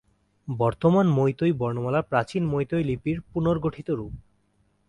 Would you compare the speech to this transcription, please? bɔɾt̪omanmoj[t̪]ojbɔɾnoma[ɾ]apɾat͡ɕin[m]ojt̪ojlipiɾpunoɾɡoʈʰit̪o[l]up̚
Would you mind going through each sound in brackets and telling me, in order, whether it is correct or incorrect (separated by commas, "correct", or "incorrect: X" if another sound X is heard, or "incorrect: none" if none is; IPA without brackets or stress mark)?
correct, incorrect: l, correct, incorrect: ɾ